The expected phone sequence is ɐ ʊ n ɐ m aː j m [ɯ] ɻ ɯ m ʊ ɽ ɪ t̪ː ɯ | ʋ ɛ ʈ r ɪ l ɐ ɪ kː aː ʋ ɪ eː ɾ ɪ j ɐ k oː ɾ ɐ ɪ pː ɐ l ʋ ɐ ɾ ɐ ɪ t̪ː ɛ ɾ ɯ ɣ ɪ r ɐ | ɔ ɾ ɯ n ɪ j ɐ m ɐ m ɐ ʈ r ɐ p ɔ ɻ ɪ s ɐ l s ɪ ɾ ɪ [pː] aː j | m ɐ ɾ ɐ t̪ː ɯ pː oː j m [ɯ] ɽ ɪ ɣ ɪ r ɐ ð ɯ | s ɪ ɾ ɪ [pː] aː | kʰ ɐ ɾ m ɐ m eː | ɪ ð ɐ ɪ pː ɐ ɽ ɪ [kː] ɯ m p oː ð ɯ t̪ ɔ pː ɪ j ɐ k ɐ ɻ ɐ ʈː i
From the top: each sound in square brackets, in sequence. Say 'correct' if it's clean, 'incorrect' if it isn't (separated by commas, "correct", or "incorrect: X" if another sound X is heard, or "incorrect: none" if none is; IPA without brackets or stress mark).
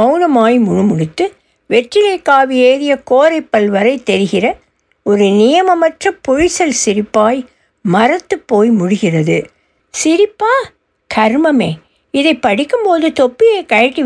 incorrect: ʊ, correct, incorrect: ʊ, correct, correct